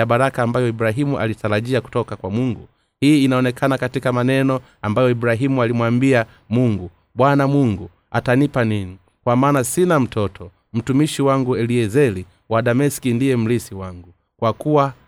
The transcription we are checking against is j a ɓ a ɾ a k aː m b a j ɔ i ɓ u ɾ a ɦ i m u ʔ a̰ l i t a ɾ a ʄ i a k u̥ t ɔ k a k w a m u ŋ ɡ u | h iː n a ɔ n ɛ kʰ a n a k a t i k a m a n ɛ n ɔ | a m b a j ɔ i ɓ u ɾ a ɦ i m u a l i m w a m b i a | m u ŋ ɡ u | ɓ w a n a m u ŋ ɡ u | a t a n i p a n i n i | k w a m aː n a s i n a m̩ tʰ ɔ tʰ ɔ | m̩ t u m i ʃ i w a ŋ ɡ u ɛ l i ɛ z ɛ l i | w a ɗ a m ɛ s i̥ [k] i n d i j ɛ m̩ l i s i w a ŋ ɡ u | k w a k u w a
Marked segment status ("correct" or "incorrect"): correct